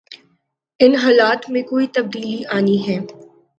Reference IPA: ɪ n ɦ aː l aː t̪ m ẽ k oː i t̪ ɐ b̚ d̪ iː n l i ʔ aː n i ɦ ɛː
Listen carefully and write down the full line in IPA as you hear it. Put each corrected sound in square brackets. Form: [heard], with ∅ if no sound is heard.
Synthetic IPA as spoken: ɪ n ɦ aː l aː t̪ m ẽ k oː i t̪ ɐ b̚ d̪ iː [∅] l i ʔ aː n i ɦ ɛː